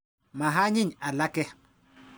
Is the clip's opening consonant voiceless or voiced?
voiced